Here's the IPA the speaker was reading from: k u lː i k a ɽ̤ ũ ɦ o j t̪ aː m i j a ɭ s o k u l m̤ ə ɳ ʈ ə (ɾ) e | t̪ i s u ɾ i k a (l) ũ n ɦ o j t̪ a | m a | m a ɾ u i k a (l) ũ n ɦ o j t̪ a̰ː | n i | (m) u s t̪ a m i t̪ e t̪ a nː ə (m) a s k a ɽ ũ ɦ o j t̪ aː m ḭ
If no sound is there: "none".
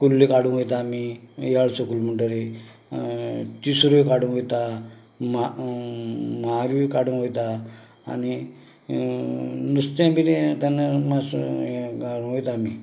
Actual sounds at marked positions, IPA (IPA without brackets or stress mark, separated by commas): ɾ, ɽ, ɽ, n, m